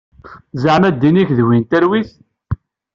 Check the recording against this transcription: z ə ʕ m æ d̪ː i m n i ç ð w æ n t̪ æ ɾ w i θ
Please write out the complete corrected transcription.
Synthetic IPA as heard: z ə ʕ m æ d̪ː i n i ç ð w i n t̪ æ ɾ w i θ